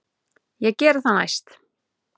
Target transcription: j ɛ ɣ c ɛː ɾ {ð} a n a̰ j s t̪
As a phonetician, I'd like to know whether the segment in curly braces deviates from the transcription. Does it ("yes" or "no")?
yes